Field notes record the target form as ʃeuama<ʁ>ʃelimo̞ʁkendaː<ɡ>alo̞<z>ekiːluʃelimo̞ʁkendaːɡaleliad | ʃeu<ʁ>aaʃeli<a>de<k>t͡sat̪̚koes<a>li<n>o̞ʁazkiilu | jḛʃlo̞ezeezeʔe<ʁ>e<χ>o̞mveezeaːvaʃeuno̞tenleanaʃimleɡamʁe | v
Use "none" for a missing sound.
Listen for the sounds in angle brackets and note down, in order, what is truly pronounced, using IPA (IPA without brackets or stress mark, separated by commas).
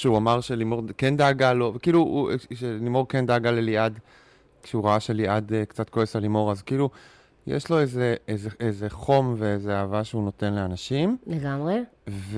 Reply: ʁ, ɡ, v, ʁ, a, k, a, m, z, χ